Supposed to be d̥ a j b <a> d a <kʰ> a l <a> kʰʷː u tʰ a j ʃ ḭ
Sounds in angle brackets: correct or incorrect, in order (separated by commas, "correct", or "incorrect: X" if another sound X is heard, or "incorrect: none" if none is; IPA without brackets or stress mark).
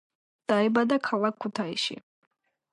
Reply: correct, correct, correct